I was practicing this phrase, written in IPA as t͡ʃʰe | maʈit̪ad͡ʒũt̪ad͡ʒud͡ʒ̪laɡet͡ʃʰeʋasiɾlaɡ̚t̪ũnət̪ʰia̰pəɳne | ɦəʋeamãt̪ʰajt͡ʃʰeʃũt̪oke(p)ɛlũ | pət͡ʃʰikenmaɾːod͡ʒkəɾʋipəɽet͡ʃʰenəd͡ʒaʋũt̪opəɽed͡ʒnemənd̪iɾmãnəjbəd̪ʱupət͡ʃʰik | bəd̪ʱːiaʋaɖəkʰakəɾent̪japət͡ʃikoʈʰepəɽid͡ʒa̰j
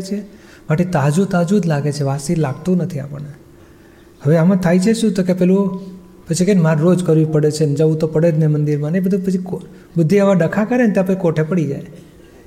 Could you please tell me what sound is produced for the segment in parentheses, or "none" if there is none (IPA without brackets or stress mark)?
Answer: p